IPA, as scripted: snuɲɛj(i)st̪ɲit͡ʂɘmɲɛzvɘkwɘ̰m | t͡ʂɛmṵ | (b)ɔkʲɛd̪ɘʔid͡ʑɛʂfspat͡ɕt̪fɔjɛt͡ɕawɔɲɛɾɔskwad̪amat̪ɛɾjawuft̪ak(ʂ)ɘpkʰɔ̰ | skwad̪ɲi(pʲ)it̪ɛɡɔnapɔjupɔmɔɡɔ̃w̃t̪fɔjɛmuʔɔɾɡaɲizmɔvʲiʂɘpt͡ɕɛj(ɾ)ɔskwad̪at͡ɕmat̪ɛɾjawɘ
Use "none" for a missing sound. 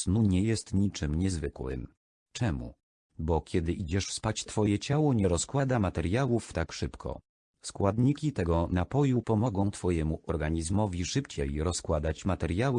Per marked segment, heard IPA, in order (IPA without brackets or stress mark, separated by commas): ɛ, b, ʂ, kʲ, ɾ